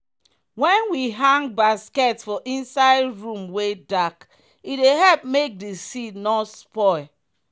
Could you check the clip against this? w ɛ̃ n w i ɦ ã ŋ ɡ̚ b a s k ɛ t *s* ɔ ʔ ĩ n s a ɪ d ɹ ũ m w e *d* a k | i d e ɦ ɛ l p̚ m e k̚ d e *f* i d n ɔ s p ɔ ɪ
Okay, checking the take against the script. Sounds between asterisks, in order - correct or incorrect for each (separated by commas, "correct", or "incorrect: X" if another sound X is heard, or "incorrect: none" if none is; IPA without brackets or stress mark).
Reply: incorrect: f, correct, incorrect: s